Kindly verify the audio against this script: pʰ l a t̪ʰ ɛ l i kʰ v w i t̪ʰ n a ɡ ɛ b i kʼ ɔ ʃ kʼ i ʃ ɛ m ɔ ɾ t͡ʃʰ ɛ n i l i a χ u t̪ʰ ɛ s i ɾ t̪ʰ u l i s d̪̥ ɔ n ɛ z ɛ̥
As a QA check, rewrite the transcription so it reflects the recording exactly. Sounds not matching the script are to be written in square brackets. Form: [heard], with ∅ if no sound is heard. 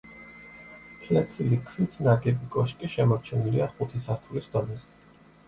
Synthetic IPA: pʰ l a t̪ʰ [i] l i kʰ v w i t̪ʰ n a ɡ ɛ b i kʼ ɔ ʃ kʼ i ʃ ɛ m ɔ ɾ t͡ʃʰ ɛ n i l i a χ u t̪ʰ [i] s [a] ɾ t̪ʰ u l i s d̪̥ ɔ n ɛ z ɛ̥